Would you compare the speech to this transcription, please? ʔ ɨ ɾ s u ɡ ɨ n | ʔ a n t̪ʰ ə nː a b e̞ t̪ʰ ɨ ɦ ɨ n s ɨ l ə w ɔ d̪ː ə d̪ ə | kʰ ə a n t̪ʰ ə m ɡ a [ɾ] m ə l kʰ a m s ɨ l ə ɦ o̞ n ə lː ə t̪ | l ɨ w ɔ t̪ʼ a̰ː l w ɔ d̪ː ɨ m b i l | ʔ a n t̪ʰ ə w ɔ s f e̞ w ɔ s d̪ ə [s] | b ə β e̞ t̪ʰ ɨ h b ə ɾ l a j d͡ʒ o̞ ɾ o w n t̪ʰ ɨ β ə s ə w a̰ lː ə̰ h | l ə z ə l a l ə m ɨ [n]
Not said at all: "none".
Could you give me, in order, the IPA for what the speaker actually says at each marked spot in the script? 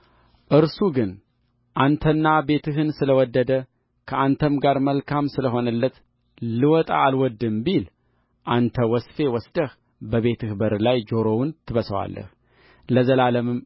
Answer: ɾ, h, m

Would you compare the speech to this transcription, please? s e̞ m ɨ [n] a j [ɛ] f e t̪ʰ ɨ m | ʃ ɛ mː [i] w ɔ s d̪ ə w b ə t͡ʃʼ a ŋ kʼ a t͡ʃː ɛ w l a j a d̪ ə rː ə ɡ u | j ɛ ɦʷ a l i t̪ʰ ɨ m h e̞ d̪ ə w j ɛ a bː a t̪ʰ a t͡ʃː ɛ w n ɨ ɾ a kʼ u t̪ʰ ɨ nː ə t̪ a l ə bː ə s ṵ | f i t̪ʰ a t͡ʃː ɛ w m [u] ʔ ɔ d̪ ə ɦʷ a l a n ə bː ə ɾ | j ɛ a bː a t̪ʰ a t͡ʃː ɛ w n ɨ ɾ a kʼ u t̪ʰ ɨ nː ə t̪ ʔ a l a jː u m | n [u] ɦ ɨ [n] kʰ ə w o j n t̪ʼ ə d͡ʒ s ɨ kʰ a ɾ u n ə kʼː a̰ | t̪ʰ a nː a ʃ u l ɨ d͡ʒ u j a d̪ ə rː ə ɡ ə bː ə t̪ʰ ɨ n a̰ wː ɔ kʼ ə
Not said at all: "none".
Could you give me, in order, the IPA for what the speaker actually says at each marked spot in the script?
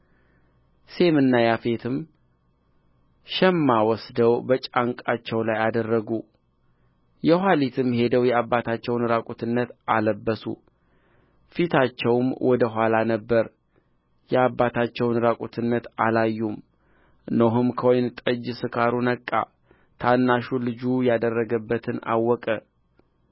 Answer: nː, a, a, w, o, m

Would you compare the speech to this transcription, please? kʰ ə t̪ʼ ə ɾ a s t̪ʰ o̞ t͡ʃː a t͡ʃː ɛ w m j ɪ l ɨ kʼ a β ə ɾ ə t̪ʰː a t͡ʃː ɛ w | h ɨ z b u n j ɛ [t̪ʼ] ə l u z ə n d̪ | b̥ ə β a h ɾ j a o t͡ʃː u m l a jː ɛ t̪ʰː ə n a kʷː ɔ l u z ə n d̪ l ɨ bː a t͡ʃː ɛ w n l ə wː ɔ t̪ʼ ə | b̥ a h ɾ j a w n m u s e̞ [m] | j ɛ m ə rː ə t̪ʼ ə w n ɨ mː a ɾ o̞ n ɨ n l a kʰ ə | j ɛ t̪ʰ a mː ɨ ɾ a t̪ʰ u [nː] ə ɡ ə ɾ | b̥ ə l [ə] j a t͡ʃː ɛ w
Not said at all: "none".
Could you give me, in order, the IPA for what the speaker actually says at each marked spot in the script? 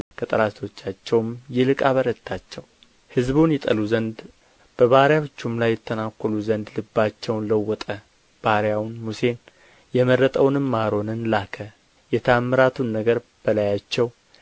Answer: t̪ʼ, n, nː, a

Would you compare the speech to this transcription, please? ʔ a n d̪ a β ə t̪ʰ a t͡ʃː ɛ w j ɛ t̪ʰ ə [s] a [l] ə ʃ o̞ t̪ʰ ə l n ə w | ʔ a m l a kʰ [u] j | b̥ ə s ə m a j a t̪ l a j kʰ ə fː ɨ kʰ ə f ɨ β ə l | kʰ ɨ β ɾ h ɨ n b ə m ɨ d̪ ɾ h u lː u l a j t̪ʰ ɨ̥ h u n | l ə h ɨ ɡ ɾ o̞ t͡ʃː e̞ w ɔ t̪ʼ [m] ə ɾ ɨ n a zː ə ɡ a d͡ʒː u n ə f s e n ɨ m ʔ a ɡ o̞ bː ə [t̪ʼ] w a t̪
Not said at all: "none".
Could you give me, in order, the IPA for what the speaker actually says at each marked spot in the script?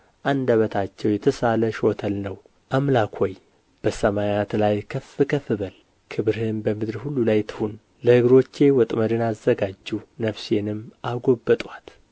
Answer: s, l, o, m, t̪ʼ

